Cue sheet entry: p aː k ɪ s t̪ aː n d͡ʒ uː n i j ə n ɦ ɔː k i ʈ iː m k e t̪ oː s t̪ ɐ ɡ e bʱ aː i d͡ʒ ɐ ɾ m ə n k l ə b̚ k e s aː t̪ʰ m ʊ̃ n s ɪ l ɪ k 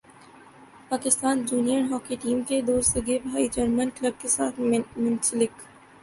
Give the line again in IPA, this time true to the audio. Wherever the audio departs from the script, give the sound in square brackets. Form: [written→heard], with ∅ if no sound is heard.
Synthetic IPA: p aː k ɪ s t̪ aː n d͡ʒ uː n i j ə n ɦ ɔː k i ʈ iː m k e [t̪→d̪] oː s t̪ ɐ ɡ e bʱ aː i d͡ʒ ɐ ɾ m ə n k l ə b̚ k e s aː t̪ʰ m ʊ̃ n s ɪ l ɪ k